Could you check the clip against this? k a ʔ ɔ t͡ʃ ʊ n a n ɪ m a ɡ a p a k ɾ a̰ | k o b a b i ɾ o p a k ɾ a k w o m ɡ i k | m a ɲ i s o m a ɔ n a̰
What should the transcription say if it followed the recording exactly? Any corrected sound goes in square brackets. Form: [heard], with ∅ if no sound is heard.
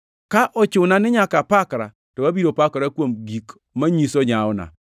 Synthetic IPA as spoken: k a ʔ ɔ t͡ʃ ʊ n a n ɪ [ɲ] a [k] a p a k ɾ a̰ | [t] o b a b i ɾ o p a k ɾ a k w o m ɡ i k | m a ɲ i s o [ɲ] a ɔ n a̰